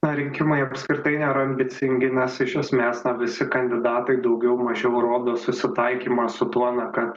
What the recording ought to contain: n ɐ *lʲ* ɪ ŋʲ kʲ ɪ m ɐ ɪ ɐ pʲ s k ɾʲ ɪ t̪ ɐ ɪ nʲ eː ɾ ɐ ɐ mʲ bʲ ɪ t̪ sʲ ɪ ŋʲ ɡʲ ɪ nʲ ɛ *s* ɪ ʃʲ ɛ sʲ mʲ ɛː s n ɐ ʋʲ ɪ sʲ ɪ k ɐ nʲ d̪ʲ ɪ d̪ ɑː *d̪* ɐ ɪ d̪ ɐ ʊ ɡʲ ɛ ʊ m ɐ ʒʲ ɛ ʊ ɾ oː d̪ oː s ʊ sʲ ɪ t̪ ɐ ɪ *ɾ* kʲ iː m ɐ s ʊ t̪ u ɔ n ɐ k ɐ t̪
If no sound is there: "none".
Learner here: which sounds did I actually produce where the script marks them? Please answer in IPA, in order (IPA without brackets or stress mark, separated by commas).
ɾʲ, s, t̪, none